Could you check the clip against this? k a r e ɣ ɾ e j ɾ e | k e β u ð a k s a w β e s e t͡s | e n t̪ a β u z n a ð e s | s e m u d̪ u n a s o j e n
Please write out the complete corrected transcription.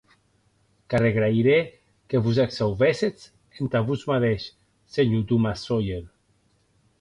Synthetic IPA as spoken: k a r e ɣ ɾ a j ɾ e | k e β u z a k s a w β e s e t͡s | e n t̪ a β u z m a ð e ʃ | s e ɲ u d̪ u m a s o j e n